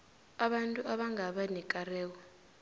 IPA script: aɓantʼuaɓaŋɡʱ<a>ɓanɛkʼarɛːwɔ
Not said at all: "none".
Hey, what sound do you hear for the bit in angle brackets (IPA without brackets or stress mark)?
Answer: a